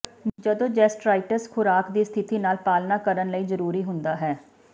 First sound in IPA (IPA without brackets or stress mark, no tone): d͡ʒ